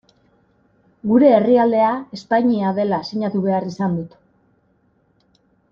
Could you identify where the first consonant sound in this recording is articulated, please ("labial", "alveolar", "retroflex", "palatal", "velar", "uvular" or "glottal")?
velar